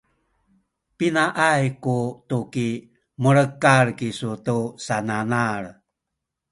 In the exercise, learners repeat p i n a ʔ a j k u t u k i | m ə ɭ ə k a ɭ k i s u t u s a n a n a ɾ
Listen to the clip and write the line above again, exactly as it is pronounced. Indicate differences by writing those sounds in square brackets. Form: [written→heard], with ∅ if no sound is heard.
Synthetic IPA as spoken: p i n a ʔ a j k u t u k i | m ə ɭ ə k a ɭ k i s u t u s a n a n a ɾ